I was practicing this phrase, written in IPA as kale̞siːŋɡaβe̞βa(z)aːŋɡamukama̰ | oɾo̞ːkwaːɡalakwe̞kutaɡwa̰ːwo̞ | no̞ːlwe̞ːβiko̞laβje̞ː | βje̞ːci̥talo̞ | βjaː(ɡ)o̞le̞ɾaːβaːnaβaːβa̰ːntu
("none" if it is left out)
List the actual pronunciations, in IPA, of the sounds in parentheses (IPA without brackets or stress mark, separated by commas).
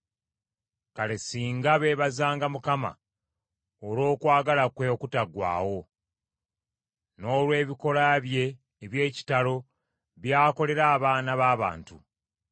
z, k